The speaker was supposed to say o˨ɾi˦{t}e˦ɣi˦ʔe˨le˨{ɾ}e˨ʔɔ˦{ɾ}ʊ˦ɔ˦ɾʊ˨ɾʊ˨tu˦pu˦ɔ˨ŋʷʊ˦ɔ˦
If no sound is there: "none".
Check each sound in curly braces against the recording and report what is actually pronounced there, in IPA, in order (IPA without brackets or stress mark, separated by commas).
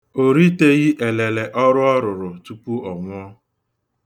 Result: t, l, ɾ